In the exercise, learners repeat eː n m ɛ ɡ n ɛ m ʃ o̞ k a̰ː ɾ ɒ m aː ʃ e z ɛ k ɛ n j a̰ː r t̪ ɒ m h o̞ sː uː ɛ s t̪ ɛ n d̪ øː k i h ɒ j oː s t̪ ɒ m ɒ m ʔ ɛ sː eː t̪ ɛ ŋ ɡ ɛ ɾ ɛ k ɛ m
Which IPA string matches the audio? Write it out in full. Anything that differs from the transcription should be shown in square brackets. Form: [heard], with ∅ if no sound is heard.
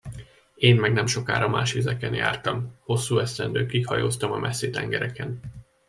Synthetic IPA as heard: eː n m ɛ ɡ n ɛ m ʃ o̞ k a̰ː ɾ ɒ m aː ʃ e z ɛ k ɛ n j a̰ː r t̪ ɒ m h o̞ sː uː ɛ s t̪ ɛ n d̪ øː k i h ɒ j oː s t̪ ɒ m ɒ m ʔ ɛ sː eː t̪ ɛ ŋ ɡ ɛ ɾ ɛ k ɛ [n]